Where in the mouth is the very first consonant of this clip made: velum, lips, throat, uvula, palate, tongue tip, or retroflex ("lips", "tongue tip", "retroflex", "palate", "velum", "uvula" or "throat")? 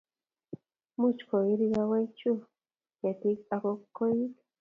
lips